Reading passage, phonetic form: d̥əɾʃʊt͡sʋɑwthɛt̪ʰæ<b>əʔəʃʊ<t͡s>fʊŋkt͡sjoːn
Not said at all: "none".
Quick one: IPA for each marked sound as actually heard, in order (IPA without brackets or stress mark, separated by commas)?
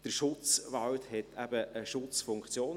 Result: b, t͡s